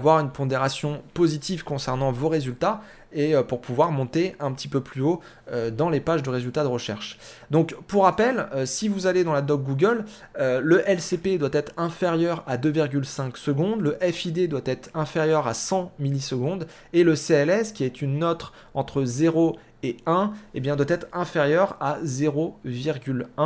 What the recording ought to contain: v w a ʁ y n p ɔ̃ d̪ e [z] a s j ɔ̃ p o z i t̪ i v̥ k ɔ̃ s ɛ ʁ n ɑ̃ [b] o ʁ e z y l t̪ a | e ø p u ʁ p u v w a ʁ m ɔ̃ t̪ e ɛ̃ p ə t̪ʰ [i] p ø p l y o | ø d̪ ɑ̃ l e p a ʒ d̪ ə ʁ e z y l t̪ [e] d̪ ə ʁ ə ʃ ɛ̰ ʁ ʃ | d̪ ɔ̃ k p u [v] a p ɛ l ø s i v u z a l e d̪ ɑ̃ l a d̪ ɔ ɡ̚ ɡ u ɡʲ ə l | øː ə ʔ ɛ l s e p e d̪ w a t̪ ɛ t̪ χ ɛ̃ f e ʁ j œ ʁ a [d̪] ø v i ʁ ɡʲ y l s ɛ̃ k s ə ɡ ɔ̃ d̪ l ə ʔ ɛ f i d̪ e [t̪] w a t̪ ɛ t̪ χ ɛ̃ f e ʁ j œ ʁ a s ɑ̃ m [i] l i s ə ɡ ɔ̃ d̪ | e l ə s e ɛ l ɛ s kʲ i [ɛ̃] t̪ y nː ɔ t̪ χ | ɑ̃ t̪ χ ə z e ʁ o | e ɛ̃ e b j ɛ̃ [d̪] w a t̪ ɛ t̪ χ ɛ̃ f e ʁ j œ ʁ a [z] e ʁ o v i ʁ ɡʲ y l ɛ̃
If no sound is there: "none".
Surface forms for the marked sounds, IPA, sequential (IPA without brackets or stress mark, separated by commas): ʁ, v, i, a, ʁ, d̪, d̪, i, ɛ, d̪, z